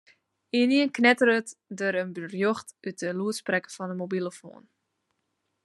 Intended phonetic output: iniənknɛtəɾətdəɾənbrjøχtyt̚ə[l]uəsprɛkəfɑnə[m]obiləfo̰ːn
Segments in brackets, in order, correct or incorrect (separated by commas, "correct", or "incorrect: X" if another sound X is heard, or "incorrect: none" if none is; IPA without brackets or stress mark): correct, correct